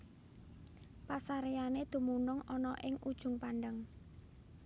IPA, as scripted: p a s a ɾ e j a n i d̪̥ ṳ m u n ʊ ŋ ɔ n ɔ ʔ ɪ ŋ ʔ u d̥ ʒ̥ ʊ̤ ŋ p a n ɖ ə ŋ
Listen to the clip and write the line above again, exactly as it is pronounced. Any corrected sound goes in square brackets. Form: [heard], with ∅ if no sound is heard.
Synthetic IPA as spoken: p a s a ɾ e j a n [e] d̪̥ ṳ m u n ʊ ŋ ɔ n ɔ ʔ ɪ ŋ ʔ u d̥ ʒ̥ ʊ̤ ŋ p a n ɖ ə ŋ